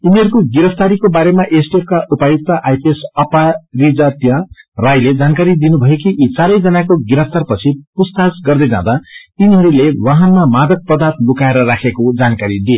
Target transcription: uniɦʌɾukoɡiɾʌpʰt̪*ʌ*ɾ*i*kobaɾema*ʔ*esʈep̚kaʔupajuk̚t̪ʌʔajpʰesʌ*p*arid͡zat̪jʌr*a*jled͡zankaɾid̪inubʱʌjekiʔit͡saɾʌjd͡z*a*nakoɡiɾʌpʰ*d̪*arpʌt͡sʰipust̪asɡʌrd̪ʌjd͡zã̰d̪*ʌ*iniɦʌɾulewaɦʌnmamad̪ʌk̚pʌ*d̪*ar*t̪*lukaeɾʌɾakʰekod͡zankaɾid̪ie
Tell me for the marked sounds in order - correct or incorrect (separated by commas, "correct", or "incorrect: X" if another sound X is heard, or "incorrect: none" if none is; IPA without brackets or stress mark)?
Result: incorrect: a, correct, correct, correct, correct, incorrect: ʌ, incorrect: t̪, incorrect: a, correct, correct